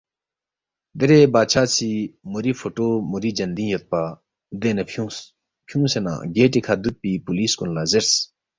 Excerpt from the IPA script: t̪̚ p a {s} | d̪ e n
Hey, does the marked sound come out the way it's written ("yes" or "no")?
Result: no